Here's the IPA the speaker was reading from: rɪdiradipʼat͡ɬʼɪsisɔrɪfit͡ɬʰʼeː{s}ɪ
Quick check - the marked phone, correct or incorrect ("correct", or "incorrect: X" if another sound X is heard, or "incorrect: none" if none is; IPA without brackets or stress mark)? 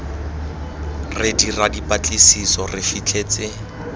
incorrect: t͡s